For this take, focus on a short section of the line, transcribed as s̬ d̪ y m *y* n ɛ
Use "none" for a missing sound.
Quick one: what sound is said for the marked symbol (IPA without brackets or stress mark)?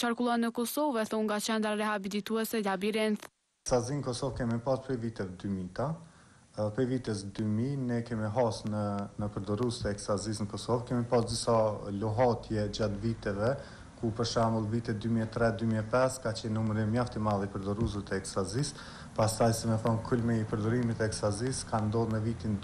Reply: i